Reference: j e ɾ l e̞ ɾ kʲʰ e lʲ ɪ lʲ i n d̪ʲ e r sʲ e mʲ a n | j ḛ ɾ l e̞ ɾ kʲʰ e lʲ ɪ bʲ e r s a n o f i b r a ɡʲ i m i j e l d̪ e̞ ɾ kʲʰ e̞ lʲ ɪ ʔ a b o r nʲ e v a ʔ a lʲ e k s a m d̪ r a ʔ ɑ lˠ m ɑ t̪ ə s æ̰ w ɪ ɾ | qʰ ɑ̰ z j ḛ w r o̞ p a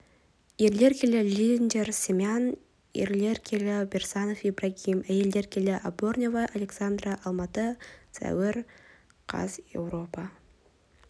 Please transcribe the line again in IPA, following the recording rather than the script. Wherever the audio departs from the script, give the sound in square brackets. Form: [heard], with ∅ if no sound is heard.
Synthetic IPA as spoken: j e ɾ l e̞ ɾ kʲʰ e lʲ ɪ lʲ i n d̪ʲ e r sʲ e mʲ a n | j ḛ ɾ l e̞ ɾ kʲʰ e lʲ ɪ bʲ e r s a n o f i b r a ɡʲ i m [æ] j e l d̪ e̞ ɾ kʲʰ e̞ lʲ ɪ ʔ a b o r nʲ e v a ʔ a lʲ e k s a [n] d̪ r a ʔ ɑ lˠ m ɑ t̪ ə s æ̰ w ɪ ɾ | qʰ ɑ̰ z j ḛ w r o̞ p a